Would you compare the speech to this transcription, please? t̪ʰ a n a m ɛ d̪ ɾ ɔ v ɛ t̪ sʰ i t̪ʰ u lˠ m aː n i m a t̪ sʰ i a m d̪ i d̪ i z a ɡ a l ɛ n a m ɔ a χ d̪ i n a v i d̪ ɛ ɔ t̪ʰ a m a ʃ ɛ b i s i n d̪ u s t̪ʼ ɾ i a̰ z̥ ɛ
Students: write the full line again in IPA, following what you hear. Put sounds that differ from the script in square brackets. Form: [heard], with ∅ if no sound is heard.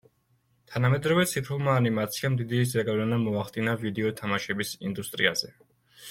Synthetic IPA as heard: t̪ʰ a n a m ɛ d̪ ɾ ɔ v ɛ t̪ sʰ i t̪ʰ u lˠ m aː n i m a t̪ sʰ i a m d̪ i d̪ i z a ɡ a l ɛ n a m ɔ a χ d̪ i n a v i d̪ ɛ ɔ t̪ʰ a m a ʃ ɛ b i s i n d̪ u s t̪ʼ ɾ i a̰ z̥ ɛ